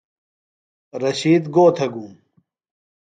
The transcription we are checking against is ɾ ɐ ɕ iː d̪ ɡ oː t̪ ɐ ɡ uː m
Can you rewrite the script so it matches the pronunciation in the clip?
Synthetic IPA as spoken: ɾ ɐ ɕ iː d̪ ɡ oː t̪ʰ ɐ ɡ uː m